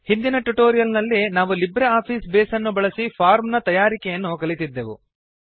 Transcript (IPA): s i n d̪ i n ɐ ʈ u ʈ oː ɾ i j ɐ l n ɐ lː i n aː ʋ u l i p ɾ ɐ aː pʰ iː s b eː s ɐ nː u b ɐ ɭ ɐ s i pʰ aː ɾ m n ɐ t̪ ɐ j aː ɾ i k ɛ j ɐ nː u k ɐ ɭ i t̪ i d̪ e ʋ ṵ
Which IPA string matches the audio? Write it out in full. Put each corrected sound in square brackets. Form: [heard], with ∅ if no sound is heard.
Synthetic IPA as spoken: [h] i n d̪ i n ɐ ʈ u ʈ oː ɾ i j ɐ l n ɐ lː i n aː ʋ u l i [b] ɾ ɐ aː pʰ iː s b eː s ɐ nː u b ɐ ɭ ɐ s i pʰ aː ɾ m n ɐ t̪ ɐ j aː ɾ i k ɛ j ɐ nː u k ɐ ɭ i t̪ i [d̪ː] e ʋ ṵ